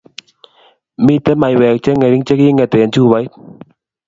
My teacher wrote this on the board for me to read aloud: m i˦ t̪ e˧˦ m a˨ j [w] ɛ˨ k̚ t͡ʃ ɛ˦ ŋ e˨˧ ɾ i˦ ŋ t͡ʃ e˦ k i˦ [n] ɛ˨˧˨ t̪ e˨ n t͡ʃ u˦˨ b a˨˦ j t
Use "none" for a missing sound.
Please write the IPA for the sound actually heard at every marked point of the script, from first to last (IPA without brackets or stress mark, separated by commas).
w, ŋ